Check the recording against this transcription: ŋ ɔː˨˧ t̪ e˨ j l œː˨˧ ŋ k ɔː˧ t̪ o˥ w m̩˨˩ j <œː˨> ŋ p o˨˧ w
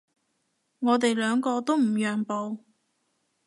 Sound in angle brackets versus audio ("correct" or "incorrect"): correct